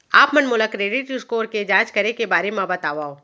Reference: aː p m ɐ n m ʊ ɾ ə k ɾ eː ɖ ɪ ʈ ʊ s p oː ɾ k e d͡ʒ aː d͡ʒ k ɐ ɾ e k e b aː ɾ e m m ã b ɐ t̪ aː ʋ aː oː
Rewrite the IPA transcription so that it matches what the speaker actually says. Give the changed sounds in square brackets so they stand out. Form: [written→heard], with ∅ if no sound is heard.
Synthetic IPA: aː p m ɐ n m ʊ [ɾ→l] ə k ɾ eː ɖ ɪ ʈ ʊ s [p→k] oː ɾ k e d͡ʒ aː d͡ʒ k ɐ ɾ e k e b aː ɾ e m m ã b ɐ t̪ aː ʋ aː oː